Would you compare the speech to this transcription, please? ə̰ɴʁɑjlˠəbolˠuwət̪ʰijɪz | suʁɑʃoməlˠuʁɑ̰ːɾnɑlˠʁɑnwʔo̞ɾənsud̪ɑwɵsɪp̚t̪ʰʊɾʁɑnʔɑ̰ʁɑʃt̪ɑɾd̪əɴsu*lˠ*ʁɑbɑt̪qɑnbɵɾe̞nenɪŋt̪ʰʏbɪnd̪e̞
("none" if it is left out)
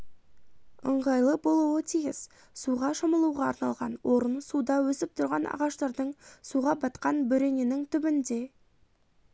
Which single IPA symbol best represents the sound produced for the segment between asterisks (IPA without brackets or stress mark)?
none